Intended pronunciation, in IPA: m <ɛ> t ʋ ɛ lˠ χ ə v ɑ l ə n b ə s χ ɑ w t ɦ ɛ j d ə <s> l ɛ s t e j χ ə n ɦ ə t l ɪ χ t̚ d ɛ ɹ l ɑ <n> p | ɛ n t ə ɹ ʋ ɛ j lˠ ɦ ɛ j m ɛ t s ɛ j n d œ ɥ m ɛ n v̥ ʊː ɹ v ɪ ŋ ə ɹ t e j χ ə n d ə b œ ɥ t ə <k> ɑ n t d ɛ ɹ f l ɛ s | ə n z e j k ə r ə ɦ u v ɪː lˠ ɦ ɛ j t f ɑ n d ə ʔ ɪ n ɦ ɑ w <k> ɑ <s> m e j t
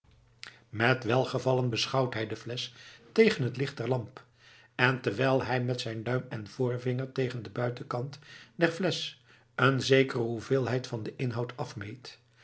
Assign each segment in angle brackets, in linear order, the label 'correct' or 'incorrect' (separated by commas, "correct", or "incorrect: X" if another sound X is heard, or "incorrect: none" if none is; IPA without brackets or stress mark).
correct, incorrect: f, incorrect: m, correct, incorrect: t, incorrect: f